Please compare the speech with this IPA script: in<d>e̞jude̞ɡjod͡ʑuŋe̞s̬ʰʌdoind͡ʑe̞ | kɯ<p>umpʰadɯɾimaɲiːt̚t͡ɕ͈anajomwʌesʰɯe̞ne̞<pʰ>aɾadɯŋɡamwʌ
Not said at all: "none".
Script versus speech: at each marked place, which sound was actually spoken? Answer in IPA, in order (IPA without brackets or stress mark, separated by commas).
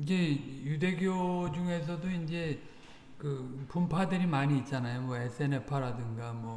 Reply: d͡ʑ, p, pʰ